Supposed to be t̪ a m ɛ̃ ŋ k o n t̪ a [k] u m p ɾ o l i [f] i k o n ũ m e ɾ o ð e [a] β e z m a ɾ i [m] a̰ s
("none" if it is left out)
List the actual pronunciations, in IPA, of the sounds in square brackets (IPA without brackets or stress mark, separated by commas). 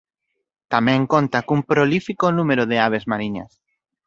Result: k, f, a, ɲ